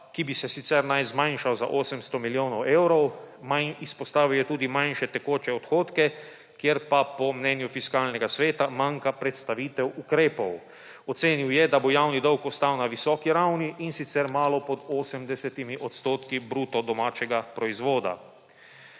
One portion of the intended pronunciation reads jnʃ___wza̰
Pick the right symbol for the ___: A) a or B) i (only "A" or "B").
A